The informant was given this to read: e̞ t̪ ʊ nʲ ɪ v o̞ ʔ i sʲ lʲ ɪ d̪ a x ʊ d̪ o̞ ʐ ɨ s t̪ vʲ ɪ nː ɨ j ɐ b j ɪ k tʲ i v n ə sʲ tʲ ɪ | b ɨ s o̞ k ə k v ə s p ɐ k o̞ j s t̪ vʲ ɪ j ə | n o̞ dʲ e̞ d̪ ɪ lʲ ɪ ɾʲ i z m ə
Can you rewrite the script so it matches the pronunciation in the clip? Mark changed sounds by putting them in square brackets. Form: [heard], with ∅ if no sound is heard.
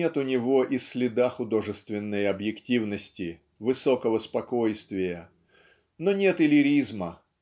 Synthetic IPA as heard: e̞ t̪ ʊ nʲ ɪ v o̞ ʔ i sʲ lʲ ɪ d̪ a x ʊ d̪ o̞ ʐ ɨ s t̪ vʲ ɪ nː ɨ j ɐ b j ɪ k tʲ i v n ə sʲ tʲ ɪ | [v] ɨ s o̞ k ə [∅] v ə s p ɐ k o̞ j s t̪ vʲ ɪ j ə | n o̞ [nʲ] e̞ [t̪] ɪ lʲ ɪ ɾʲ i z m ə

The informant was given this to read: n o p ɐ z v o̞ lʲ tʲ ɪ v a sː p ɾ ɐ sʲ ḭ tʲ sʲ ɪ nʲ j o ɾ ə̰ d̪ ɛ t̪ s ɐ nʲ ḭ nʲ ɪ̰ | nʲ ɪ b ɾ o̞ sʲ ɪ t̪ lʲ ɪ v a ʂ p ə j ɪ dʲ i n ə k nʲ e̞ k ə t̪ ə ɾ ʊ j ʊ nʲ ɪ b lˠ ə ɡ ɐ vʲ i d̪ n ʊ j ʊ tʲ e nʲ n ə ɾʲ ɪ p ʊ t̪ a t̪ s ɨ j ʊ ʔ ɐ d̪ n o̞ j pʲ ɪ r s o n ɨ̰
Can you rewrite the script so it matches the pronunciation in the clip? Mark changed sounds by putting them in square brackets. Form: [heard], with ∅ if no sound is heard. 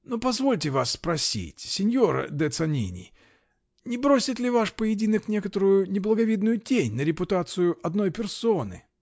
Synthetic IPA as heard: n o p ɐ z v o̞ lʲ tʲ ɪ v a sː p ɾ ɐ sʲ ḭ tʲ sʲ ɪ nʲ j o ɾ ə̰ d̪ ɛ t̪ s ɐ nʲ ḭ nʲ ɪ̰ | nʲ ɪ b ɾ o̞ sʲ ɪ t̪ lʲ ɪ v a ʂ p ə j ɪ dʲ i n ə k nʲ e̞ k ə t̪ ə ɾ ʊ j ʊ nʲ ɪ b lˠ ə ɡ ɐ vʲ i d̪ n ʊ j ʊ tʲ e nʲ n ə ɾʲ ɪ p ʊ t̪ a t̪ s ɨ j ʊ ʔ ɐ d̪ n o̞ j pʲ ɪ r s o n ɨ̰

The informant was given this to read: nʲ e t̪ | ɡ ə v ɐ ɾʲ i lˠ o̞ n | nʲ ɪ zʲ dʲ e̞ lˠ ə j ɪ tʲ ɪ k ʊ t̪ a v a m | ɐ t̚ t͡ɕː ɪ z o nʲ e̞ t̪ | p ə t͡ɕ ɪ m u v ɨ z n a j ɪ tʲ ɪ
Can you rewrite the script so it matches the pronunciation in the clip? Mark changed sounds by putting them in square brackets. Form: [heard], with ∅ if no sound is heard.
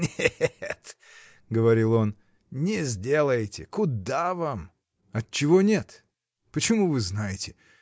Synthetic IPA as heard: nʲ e t̪ | ɡ ə v ɐ ɾʲ i lˠ o̞ n | nʲ ɪ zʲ dʲ e̞ lˠ ə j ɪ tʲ ɪ k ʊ [d̪] a v a m | ɐ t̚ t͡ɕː ɪ [v] o nʲ e̞ t̪ | p ə t͡ɕ ɪ m u v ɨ z n a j ɪ tʲ ɪ

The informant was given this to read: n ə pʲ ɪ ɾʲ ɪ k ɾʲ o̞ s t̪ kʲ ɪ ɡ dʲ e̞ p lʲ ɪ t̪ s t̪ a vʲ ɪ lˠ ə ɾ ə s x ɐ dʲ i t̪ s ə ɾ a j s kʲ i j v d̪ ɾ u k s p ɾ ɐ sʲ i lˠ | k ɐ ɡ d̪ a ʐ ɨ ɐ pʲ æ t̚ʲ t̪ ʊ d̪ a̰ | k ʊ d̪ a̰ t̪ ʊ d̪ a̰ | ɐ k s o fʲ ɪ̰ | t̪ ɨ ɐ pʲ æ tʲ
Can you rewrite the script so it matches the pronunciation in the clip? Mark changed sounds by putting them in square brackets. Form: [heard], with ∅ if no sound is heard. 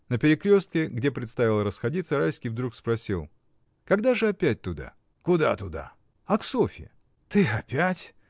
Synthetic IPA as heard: n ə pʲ ɪ ɾʲ ɪ k ɾʲ o̞ s t̪ kʲ ɪ ɡ dʲ e̞ p [ɾʲ] ɪ t̪ s t̪ a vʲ ɪ lˠ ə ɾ ə s x ɐ dʲ i t̪ s ə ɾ a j s kʲ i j v d̪ ɾ u k s p ɾ ɐ sʲ i lˠ | k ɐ ɡ d̪ a ʐ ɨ ɐ pʲ æ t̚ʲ t̪ ʊ d̪ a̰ | k ʊ d̪ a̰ t̪ ʊ d̪ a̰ | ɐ k s o fʲ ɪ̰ | t̪ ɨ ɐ pʲ æ tʲ

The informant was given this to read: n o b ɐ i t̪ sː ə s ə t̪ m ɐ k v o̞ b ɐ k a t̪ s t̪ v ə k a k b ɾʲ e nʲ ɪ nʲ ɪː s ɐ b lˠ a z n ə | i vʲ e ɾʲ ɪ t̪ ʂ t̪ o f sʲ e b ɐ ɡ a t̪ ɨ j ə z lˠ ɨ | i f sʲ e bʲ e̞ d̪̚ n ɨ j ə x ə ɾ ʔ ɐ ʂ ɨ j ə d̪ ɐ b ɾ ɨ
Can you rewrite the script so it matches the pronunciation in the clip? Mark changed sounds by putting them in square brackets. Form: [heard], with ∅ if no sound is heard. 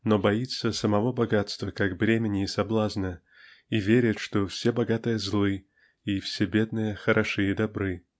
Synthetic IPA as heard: n o b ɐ i t̪ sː ə s ə [∅] m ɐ [∅] v o̞ b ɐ [ɡ] a t̪ s t̪ v ə k a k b ɾʲ e [mʲ] ɪ nʲ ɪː s ɐ b lˠ a z n ə | i vʲ e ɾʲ ɪ t̪ ʂ t̪ o f sʲ e b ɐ ɡ a t̪ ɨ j ə z lˠ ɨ | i f sʲ e bʲ e̞ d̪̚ n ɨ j ə x ə ɾ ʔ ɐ ʂ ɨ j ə d̪ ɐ b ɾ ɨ

